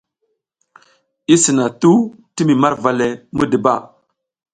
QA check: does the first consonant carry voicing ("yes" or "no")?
no